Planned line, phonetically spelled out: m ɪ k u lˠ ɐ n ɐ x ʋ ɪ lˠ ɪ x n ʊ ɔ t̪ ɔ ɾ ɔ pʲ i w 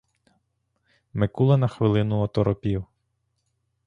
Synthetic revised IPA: m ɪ k u lˠ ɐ n ɐ x ʋ ɪ lˠ ɪ n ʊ ɔ t̪ ɔ ɾ ɔ pʲ i w